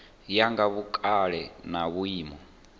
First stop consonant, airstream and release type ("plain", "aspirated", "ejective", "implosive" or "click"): plain